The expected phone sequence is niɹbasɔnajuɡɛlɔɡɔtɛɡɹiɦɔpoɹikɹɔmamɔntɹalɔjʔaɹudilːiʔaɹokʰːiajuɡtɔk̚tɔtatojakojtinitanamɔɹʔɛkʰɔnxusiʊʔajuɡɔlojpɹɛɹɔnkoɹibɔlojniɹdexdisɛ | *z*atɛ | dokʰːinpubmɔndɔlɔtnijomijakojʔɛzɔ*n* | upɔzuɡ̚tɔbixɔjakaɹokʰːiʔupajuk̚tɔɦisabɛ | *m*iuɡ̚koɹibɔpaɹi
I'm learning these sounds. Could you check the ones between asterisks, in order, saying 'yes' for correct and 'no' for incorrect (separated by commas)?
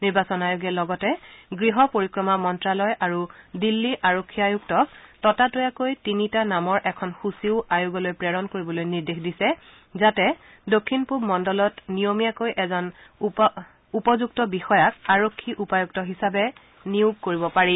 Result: yes, yes, no